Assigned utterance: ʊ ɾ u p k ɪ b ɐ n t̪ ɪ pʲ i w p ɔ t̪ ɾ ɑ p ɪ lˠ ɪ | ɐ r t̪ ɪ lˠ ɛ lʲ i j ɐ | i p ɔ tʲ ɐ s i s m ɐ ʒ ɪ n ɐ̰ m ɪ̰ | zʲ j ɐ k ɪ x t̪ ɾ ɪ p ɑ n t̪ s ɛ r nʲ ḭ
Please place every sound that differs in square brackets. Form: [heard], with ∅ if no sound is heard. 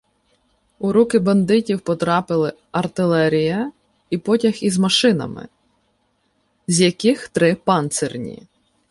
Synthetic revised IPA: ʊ ɾ u [∅] k ɪ b ɐ n [d̪] ɪ [tʲ] i w p ɔ t̪ ɾ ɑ p ɪ lˠ ɪ | ɐ r t̪ ɪ lˠ ɛ [ɾʲ] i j ɐ | i p ɔ tʲ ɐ [x] i [z] m ɐ [ʃ] ɪ n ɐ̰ m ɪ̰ | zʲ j ɐ k ɪ x t̪ ɾ ɪ p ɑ n t̪ s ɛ r nʲ ḭ